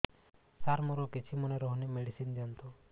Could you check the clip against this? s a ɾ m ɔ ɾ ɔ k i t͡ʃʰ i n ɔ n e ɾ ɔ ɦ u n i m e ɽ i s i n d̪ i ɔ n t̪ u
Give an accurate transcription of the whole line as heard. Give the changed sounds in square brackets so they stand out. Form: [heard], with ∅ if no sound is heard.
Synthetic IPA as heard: s a ɾ m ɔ ɾ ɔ k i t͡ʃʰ i [m] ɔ n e ɾ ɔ ɦ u n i m e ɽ i s i n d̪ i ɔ n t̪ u